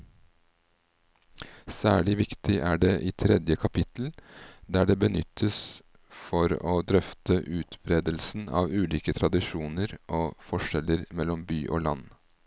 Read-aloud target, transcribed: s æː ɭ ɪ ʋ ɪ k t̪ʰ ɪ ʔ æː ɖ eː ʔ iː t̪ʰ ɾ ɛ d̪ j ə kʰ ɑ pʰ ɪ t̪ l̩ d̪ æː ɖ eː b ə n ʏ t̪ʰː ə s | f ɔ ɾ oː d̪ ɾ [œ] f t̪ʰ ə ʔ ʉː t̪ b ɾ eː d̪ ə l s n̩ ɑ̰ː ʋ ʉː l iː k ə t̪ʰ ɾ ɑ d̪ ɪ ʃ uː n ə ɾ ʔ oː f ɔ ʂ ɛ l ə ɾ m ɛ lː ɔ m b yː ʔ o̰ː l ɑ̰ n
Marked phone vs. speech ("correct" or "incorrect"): correct